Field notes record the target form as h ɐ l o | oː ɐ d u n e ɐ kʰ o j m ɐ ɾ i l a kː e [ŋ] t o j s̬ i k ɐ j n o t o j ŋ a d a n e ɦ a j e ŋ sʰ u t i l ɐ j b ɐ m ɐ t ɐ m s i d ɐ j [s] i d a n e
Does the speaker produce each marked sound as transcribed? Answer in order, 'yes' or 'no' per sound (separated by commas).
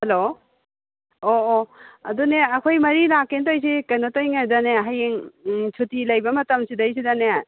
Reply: no, yes